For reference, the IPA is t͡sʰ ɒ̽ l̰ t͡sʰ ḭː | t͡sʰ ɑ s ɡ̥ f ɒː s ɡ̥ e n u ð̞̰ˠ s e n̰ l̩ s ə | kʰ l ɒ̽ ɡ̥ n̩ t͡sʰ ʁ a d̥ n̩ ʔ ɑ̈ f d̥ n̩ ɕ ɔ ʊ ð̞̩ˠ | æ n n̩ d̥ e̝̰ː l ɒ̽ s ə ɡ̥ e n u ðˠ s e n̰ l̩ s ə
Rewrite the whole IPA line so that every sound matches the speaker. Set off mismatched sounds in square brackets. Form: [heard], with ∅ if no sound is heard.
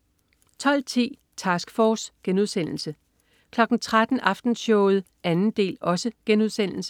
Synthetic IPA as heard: t͡sʰ ɒ̽ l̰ t͡sʰ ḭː | t͡sʰ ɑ s ɡ̥ f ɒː s ɡ̥ e n u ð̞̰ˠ s e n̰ l̩ s ə | kʰ l ɒ̽ ɡ̥ n̩ t͡sʰ ʁ a d̥ n̩ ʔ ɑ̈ f d̥ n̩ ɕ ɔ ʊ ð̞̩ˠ | æ n n̩ d̥ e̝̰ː l ɒ̽ s ə ɡ̥ e n u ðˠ s e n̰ l̩ s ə